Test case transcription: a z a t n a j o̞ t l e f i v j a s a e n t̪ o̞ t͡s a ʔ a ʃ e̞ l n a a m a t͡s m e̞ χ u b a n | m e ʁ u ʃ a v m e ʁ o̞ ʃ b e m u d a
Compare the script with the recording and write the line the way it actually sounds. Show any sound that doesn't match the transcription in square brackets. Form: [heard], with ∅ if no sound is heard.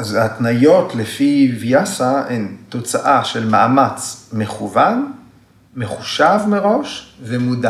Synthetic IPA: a z a t n a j o̞ t l e f i v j a s a e n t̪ o̞ t͡s a ʔ a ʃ e̞ l [m] a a m a t͡s m e̞ χ u [v] a n | m e [χ] u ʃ a v m e ʁ o̞ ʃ [v] e m u d a